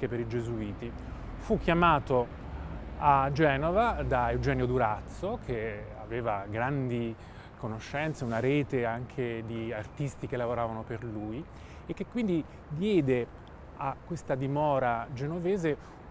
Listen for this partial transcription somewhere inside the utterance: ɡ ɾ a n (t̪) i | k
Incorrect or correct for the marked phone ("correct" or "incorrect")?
incorrect